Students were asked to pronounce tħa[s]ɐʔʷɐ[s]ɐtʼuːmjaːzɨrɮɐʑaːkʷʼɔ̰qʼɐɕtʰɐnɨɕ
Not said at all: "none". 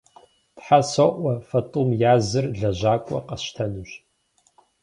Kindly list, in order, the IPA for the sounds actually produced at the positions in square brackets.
s, f

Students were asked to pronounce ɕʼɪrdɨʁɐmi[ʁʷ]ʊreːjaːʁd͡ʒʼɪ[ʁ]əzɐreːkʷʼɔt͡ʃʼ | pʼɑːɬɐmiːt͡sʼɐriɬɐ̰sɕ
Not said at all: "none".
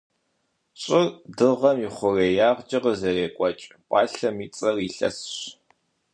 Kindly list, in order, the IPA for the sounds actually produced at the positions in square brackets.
χʷ, ʁ

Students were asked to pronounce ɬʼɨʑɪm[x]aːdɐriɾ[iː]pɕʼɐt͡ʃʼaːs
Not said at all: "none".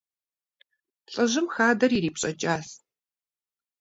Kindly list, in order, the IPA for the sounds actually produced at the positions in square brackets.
x, iː

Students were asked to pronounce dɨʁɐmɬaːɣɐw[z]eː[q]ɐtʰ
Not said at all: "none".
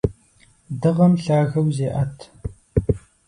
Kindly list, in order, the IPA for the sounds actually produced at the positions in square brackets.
z, ʔ

